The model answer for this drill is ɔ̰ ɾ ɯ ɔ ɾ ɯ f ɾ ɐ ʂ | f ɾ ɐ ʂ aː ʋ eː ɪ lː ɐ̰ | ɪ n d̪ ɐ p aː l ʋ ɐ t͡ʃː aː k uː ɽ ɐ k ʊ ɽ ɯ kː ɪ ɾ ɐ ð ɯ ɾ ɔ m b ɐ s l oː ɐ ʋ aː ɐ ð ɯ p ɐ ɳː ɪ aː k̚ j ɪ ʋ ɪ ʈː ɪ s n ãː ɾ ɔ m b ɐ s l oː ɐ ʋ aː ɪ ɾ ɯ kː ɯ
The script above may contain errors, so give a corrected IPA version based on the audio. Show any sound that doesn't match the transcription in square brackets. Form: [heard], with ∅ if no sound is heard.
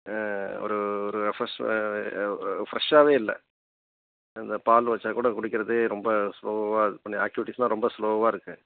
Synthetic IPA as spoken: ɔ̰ ɾ ɯ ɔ ɾ ɯ f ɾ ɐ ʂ | f ɾ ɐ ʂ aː ʋ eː ɪ lː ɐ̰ | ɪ n d̪ ɐ p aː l ʋ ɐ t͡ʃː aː k uː ɽ ɐ k ʊ ɽ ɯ kː ɪ ɾ ɐ ð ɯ ɾ ɔ m b ɐ s l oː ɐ ʋ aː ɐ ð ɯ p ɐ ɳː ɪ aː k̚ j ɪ ʋ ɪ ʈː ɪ s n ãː ɾ ɔ m b ɐ s l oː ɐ ʋ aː ɪ ɾ ɯ kː ɯ